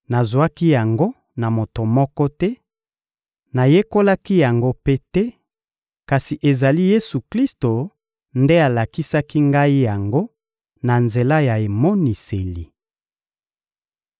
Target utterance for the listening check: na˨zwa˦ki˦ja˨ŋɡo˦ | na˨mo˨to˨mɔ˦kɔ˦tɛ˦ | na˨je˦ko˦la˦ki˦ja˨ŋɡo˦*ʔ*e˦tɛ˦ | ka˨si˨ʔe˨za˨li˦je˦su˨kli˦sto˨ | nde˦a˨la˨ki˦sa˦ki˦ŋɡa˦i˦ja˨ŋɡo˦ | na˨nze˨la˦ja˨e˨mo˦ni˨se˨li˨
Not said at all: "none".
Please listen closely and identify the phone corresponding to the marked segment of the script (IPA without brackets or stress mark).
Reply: p